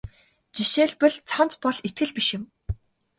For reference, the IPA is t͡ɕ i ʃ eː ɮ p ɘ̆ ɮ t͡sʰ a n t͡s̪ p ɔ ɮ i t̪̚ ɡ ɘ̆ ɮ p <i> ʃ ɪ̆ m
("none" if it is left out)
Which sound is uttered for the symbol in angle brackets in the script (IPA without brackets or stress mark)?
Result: i